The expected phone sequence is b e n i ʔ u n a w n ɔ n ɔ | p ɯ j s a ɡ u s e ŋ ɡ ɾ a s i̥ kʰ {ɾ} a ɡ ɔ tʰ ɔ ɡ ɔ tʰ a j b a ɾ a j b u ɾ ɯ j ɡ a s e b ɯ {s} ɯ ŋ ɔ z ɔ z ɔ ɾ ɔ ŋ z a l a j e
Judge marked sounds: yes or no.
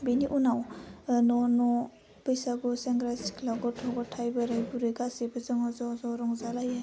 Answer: no, no

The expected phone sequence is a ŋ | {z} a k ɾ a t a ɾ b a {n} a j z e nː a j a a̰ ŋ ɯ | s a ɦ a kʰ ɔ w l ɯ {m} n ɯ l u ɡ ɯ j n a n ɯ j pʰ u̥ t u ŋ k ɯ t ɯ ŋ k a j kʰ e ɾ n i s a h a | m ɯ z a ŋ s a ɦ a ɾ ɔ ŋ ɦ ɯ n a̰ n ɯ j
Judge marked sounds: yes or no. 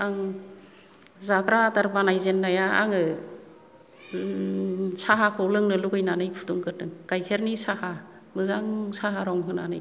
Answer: yes, yes, no

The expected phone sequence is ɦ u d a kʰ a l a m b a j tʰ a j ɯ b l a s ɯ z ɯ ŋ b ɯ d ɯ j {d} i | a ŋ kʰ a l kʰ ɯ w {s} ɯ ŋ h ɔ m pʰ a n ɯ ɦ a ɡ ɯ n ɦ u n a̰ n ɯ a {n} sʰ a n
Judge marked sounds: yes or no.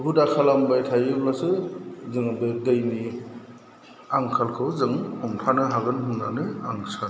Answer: no, no, no

